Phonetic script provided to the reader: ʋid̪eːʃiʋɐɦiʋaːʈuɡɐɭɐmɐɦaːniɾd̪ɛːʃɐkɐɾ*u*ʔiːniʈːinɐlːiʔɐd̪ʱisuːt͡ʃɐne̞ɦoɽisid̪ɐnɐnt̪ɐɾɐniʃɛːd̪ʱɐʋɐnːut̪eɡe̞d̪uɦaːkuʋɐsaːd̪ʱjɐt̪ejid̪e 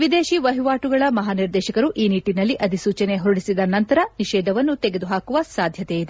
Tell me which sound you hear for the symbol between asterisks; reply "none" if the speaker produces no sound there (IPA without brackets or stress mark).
u